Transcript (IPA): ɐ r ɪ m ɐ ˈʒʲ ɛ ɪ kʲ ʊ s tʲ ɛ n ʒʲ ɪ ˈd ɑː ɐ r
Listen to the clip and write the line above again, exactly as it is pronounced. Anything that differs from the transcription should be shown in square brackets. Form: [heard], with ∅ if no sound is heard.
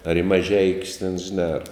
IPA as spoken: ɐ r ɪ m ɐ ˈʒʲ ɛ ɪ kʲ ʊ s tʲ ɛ n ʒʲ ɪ [ˈn] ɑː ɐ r